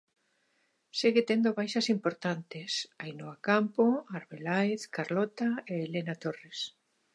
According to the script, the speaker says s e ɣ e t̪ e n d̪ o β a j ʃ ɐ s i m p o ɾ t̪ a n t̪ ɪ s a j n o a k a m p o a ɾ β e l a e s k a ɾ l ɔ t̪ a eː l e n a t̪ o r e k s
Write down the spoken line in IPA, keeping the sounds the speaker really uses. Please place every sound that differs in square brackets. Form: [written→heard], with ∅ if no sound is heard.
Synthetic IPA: s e ɣ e t̪ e n d̪ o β a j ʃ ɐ s i m p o ɾ t̪ a n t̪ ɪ s a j n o a k a m p o a ɾ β e l a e [s→θ] k a ɾ l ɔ t̪ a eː l e n a t̪ o r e [k→∅] s